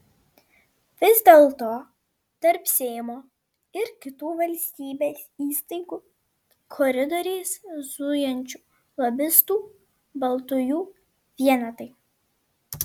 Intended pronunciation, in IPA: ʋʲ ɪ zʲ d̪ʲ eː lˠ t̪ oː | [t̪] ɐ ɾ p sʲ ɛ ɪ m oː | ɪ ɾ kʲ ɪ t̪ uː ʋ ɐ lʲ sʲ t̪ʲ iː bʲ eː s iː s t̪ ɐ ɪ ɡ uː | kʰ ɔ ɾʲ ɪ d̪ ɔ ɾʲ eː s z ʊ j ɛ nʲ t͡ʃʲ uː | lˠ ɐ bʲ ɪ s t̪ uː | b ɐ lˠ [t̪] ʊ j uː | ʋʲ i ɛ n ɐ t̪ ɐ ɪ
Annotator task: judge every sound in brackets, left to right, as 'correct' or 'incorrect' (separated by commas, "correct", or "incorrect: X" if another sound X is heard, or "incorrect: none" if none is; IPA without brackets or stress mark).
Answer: correct, correct